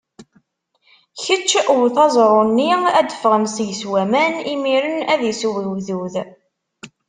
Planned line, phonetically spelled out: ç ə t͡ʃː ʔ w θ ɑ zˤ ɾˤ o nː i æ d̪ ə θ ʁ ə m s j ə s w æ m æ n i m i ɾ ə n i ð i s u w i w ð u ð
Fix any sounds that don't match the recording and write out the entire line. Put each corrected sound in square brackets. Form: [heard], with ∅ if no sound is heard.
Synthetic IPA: ç ə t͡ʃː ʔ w θ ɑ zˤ ɾˤ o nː i æ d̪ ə [f] ʁ ə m s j ə s w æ m æ n i m i ɾ ə n [æ] ð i s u w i w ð u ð